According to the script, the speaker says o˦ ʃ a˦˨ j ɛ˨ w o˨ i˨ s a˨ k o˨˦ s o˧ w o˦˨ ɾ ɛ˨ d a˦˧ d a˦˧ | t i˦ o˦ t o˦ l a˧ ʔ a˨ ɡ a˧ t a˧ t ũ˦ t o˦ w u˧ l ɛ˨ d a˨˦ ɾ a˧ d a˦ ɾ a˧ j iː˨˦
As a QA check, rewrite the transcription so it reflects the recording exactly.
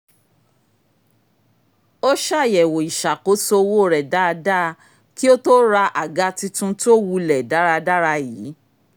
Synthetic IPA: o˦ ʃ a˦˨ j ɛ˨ w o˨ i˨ ʃ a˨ k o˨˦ s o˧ w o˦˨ ɾ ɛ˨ d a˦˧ d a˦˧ | k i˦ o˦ t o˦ ɾ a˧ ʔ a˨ ɡ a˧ t i˧ t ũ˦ t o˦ w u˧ l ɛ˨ d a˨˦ ɾ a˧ d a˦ ɾ a˧ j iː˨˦

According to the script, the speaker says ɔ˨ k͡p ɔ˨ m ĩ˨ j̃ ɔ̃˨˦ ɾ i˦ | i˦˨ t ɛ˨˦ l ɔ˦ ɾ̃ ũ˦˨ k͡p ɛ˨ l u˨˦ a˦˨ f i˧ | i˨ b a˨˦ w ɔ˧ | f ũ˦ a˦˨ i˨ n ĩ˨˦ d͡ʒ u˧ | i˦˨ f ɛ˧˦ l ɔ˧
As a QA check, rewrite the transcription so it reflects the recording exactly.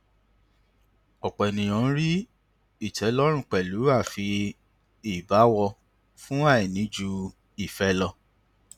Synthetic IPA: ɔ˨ k͡p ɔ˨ n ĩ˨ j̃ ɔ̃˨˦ ɾ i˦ | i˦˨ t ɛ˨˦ l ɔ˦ ɾ̃ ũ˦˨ k͡p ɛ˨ l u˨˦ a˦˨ f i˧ | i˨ b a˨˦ w ɔ˧ | f ũ˦ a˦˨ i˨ n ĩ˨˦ d͡ʒ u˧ | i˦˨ f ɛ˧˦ l ɔ˧

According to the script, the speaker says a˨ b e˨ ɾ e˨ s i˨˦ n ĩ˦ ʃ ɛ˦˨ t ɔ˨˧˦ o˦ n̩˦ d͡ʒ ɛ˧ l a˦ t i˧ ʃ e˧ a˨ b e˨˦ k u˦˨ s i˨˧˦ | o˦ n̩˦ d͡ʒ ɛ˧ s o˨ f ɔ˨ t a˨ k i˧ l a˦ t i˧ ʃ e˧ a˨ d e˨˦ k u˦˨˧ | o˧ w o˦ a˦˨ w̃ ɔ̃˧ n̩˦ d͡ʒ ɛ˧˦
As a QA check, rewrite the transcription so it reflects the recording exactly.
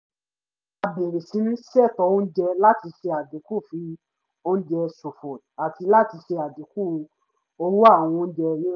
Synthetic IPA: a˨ b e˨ ɾ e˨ s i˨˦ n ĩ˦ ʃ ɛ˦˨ t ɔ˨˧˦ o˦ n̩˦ d͡ʒ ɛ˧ l a˦ t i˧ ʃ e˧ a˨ d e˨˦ k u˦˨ f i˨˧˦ | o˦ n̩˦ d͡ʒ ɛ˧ s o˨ f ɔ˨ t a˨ t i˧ l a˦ t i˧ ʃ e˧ a˨ d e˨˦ k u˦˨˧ | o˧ w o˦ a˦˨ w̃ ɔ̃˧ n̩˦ d͡ʒ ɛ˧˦

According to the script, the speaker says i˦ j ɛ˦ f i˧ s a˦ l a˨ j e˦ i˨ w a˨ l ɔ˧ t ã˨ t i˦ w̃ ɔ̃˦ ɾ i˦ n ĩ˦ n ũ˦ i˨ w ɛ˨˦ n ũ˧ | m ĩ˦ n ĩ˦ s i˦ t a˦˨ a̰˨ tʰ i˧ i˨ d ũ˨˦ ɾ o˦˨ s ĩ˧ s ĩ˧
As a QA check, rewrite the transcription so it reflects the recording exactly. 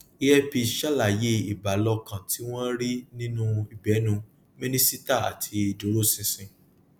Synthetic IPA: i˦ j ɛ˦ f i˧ ʃ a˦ l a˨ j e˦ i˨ b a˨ l ɔ˧ k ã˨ t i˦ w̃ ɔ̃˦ ɾ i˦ n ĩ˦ n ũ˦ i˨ b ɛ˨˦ n ũ˧ | m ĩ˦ n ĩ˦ s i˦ t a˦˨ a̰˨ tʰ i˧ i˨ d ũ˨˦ ɾ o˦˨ s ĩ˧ s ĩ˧

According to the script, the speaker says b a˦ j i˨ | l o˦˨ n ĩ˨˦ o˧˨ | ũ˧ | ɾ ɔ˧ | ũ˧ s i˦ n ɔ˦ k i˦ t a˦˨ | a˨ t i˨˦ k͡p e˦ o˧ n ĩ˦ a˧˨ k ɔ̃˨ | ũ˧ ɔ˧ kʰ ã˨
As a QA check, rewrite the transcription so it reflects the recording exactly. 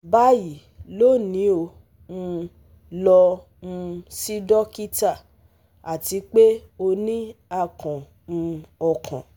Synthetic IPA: b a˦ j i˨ | l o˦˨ n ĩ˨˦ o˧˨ | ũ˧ | l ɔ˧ | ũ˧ s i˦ d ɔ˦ k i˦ t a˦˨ | a˨ t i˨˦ k͡p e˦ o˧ n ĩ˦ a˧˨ k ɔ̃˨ | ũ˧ ɔ˧ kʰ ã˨

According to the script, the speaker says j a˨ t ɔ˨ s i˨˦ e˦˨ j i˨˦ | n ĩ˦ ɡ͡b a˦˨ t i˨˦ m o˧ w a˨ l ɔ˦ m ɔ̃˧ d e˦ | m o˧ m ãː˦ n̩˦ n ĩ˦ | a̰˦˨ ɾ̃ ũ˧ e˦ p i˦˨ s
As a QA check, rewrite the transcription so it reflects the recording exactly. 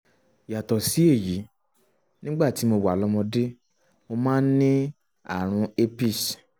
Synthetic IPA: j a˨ t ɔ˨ s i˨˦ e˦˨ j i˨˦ | n ĩ˦ ɡ͡b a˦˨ t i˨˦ m o˧ w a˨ l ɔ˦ m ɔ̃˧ d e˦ | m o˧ m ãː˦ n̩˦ n ĩ˦ | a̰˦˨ ɾ̃ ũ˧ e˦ p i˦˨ s

